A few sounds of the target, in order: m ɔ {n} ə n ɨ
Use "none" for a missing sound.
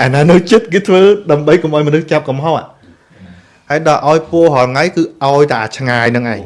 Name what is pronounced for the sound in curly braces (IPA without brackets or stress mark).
none